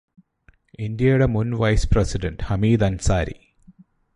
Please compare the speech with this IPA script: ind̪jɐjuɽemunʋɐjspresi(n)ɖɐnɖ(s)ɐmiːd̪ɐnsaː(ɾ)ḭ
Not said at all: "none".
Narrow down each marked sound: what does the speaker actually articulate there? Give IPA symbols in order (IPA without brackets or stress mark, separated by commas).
none, h, ɾ